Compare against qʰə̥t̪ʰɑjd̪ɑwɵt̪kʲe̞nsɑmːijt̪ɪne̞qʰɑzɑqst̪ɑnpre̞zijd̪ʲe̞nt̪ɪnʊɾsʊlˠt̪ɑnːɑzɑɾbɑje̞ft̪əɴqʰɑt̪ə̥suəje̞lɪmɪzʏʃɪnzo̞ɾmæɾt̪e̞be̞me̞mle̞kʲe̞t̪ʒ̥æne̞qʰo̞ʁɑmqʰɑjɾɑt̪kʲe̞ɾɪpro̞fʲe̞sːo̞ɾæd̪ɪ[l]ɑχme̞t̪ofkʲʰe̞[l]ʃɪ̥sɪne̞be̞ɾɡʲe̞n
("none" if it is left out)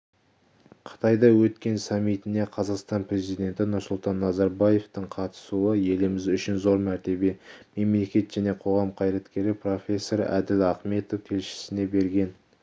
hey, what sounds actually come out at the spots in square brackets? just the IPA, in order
l, l

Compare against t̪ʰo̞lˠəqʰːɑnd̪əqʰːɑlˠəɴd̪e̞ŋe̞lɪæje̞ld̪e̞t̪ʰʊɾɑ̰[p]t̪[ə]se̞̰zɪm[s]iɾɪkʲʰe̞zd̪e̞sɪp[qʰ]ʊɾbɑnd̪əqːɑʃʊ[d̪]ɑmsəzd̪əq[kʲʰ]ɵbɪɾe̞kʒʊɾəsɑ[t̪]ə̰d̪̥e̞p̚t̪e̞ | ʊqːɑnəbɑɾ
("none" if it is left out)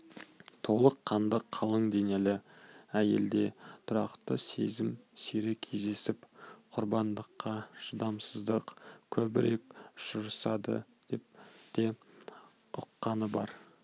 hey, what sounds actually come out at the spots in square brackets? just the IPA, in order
q, ə, s, qʰ, d̪, kʲʰ, d̪

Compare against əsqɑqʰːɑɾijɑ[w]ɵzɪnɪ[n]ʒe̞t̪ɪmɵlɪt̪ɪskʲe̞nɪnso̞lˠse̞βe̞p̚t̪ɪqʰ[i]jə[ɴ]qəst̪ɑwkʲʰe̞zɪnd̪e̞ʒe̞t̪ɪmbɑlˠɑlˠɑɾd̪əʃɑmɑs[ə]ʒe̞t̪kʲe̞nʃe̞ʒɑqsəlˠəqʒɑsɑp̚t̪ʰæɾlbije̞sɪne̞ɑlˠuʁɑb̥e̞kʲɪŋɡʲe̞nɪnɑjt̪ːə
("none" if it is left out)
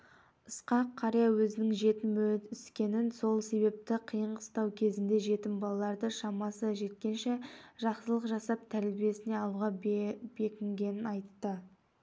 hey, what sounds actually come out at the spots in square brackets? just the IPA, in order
w, ŋ, i, ɴ, ə

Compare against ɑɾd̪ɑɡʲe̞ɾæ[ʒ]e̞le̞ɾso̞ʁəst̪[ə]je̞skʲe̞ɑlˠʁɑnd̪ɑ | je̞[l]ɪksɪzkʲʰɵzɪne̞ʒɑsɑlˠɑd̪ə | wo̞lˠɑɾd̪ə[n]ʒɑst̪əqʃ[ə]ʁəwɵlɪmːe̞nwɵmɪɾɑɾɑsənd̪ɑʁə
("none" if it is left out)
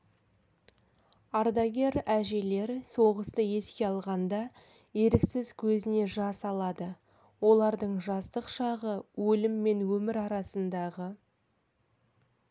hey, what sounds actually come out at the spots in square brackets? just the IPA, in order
ʒ, ə, ɾ, ɴ, ɑ

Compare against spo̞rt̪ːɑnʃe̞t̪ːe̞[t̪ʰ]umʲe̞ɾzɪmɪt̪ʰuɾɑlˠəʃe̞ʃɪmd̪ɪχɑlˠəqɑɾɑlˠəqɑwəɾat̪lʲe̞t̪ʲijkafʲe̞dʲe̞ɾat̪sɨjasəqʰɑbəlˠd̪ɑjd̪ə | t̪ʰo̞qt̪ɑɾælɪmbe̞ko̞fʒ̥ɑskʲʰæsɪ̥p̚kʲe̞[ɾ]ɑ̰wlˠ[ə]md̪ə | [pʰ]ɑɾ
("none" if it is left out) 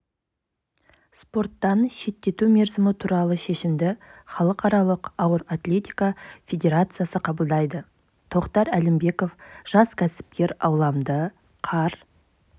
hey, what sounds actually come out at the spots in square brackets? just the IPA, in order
t̪, ɾ, ɑ, qʰ

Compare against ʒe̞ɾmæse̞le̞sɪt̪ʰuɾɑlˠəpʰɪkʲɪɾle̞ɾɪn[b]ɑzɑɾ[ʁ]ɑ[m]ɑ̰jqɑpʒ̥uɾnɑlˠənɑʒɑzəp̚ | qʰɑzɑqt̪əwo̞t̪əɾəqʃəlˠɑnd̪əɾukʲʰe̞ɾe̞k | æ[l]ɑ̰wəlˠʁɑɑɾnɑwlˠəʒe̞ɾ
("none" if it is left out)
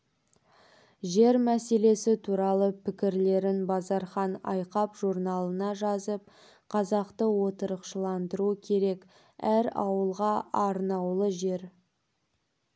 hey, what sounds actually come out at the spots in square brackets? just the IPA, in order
b, χ, n, ɾ

